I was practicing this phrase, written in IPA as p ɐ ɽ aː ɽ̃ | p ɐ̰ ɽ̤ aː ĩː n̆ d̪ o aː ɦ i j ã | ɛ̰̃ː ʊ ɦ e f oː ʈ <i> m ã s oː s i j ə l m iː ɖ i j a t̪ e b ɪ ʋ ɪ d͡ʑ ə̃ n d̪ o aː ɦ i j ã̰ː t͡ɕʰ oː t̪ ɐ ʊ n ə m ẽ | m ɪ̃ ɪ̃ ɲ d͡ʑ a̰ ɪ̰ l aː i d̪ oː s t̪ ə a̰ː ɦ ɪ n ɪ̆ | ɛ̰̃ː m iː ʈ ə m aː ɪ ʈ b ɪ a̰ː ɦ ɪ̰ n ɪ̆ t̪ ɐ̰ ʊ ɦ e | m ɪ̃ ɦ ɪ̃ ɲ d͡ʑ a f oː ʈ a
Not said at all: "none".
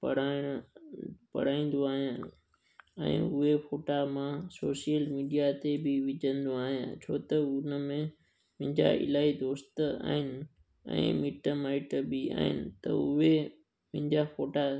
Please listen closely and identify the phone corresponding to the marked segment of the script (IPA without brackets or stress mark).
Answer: a